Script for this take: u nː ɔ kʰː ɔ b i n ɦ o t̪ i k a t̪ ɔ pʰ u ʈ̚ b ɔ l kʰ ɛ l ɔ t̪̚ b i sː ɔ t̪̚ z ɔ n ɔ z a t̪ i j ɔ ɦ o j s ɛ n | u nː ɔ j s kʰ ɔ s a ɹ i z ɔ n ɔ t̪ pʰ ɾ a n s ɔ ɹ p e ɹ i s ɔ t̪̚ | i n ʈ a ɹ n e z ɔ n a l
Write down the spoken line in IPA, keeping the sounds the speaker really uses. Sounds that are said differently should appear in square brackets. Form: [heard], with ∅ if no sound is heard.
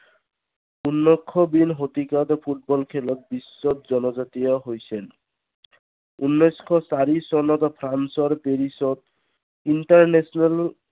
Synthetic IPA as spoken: u nː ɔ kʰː ɔ b i n ɦ o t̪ i k a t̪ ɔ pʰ u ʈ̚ b ɔ l kʰ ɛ l ɔ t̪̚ b i sː ɔ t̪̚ z ɔ n ɔ z a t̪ i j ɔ ɦ o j s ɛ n | u nː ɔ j s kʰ ɔ s a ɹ i [s] ɔ n ɔ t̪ pʰ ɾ a n s ɔ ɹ p e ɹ i s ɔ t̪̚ | i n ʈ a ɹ n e [s] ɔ n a l